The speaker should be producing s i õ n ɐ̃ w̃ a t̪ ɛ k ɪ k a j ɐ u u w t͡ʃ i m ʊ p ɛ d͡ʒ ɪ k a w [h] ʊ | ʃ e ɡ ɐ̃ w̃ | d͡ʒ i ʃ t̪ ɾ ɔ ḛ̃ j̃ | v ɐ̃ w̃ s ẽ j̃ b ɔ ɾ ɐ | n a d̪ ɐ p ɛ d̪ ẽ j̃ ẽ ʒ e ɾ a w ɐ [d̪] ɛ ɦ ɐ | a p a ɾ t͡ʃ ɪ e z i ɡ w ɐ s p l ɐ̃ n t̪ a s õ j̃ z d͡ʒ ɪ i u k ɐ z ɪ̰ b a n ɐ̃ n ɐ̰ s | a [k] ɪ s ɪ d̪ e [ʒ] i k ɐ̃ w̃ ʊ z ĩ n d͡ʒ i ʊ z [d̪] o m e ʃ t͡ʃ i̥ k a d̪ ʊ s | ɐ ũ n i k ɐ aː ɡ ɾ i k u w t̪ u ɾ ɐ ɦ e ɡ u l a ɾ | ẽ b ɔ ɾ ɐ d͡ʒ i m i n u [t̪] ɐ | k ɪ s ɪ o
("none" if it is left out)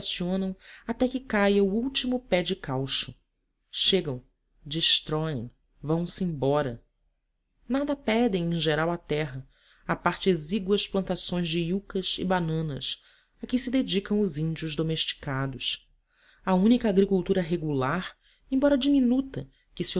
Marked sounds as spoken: ʃ, t̪, k, d͡ʒ, d̪, t̪

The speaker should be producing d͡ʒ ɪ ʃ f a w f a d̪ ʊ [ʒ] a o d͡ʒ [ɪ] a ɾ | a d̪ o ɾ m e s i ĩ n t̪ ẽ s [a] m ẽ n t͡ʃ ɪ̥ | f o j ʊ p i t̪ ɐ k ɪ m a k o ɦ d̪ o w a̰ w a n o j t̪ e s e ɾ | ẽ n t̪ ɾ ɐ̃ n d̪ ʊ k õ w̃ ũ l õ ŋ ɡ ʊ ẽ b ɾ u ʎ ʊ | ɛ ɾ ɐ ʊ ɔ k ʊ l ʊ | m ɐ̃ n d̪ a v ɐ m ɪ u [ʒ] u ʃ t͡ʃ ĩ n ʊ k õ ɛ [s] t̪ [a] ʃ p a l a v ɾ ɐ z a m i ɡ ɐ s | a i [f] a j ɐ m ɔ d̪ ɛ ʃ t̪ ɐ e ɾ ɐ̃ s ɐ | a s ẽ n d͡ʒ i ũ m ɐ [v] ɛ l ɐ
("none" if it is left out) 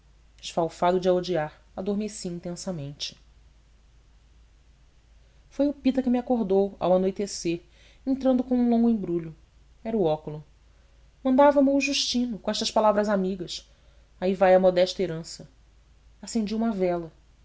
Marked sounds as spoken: d͡ʒ, i, ɐ, ʒ, ʃ, ɐ, v, v

